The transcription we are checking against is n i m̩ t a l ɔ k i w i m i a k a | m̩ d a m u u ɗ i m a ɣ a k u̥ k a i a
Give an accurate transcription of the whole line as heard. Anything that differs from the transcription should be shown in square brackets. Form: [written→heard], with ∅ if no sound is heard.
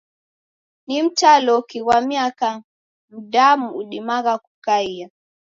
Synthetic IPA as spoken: n i m̩ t a l ɔ k i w [i→a] m i a k a | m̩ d a m u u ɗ i m a ɣ a k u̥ k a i a